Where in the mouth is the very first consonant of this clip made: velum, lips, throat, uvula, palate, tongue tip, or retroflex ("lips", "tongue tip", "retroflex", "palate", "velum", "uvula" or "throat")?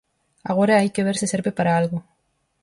velum